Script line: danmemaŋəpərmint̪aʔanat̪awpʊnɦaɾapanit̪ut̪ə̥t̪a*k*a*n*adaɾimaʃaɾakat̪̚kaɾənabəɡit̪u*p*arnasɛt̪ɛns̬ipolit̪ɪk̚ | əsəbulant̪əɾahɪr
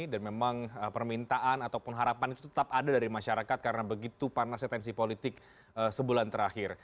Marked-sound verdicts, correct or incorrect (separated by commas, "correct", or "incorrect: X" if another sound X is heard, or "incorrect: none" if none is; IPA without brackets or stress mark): incorrect: p, incorrect: d, correct